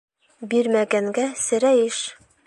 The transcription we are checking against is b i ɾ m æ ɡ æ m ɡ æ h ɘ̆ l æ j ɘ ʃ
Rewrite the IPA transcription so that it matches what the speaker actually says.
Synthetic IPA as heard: b i ɾ m æ ɡ æ ŋ ɡ æ s ɘ̆ ɾ æ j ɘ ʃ